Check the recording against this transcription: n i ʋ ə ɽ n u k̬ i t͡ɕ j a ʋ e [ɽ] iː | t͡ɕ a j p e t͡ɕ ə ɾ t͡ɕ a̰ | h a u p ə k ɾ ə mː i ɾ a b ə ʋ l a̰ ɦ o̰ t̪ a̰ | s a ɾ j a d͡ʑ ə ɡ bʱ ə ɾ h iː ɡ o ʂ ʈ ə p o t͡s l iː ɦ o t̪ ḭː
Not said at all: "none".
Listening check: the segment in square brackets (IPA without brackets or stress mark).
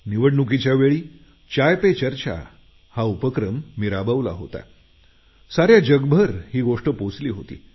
ɭ